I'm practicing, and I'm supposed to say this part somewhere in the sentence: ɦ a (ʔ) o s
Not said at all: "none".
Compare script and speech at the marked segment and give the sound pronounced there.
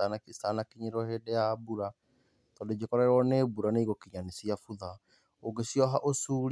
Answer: ʔ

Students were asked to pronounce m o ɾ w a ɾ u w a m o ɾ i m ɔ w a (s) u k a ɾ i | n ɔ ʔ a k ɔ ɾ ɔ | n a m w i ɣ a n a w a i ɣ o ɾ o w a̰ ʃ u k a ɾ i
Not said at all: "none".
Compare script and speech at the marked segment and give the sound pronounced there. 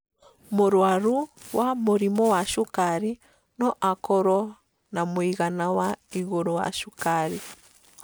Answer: ʃ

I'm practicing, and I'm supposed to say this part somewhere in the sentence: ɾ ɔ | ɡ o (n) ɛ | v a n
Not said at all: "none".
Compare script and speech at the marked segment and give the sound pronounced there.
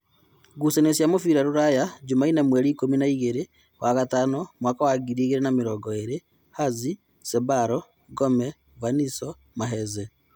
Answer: m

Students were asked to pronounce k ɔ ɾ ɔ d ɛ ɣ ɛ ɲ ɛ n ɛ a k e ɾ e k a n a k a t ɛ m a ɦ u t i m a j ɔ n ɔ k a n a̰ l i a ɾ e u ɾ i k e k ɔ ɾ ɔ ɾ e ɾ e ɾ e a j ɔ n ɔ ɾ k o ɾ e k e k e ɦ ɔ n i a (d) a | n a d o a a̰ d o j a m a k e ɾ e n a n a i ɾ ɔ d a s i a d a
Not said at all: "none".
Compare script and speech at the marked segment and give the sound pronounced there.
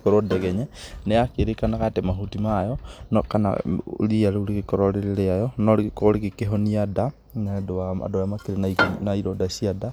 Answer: d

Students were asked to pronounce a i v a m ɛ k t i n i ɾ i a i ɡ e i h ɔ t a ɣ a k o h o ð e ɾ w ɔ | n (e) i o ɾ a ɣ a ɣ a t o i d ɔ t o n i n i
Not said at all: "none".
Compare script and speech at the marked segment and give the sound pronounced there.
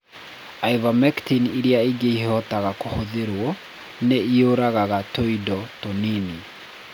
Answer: e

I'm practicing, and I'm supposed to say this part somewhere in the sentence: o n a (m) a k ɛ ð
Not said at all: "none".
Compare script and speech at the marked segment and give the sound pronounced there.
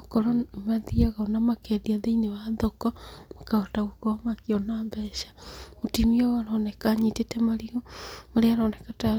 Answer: m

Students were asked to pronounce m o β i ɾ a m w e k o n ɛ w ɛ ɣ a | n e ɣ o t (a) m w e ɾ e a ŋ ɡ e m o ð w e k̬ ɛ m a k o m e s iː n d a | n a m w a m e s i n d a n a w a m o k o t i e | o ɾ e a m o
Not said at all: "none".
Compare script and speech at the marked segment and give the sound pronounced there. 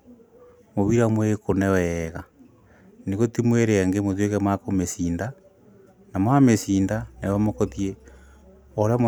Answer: i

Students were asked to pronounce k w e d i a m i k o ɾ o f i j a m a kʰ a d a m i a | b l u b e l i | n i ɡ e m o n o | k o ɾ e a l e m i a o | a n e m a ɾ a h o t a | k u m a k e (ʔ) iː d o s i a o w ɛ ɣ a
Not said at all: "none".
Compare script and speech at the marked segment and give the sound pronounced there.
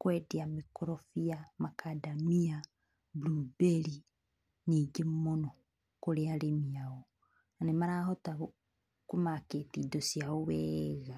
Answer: t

